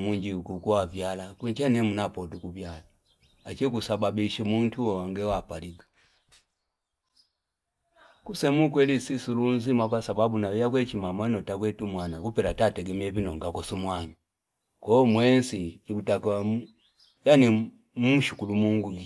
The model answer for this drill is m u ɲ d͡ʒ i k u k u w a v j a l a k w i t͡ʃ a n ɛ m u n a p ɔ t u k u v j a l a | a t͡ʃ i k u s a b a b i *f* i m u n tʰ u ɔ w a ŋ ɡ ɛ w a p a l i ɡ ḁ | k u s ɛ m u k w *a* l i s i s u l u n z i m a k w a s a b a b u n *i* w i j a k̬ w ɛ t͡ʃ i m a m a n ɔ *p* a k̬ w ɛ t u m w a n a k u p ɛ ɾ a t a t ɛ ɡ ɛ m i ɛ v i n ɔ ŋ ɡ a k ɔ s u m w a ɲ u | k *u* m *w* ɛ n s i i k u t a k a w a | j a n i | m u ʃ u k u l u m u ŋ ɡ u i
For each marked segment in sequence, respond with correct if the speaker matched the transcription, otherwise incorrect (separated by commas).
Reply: incorrect, incorrect, incorrect, incorrect, incorrect, correct